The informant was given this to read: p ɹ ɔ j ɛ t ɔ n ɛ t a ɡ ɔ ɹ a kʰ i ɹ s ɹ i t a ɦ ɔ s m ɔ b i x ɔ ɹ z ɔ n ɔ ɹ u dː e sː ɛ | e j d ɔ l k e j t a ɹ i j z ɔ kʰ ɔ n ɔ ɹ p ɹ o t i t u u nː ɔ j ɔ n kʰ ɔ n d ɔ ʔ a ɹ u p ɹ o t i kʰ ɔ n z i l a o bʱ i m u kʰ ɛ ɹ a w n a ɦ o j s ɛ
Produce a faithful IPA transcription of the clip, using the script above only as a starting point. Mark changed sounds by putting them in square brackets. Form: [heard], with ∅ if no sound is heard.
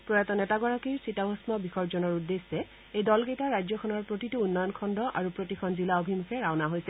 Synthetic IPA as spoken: p ɹ ɔ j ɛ t ɔ n ɛ t a ɡ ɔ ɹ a [k] i ɹ s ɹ i t a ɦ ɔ s m ɔ b i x ɔ ɹ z ɔ n ɔ ɹ u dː e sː ɛ | e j d ɔ l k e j t a ɹ [a] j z ɔ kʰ ɔ n ɔ ɹ p ɹ o t i t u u nː ɔ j ɔ n kʰ ɔ n d ɔ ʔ a ɹ u p ɹ o t i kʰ ɔ n z i l a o bʱ i m u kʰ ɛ ɹ a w n a ɦ o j s ɛ